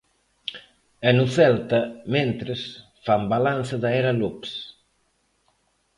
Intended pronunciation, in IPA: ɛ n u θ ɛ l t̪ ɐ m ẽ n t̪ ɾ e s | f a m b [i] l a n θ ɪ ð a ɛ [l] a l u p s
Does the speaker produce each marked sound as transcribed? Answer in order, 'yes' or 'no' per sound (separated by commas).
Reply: no, no